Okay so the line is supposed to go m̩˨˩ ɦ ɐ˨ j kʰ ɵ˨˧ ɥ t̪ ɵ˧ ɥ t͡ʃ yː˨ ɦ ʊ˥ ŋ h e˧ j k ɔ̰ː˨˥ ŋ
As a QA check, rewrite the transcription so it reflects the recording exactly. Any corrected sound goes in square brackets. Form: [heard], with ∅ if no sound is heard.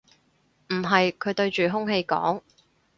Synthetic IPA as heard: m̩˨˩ ɦ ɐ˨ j kʰ ɵ˨˧ ɥ t̪ ɵ˧ ɥ t͡ʃ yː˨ ɦ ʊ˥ ŋ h e˧ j k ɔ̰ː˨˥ ŋ

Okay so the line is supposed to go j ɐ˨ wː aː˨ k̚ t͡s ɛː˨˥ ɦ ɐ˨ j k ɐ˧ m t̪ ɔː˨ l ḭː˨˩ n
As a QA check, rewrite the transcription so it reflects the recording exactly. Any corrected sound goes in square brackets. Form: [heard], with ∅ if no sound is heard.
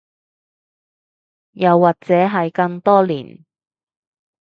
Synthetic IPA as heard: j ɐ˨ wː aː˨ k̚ t͡s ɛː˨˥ ɦ ɐ˨ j k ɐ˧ [ŋ] t̪ [ɔː˥] l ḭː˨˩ n

